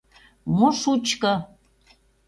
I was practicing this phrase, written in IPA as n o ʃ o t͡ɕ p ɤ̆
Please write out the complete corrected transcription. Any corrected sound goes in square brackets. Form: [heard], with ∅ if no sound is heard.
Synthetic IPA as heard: [m] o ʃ [u] t͡ɕ [k] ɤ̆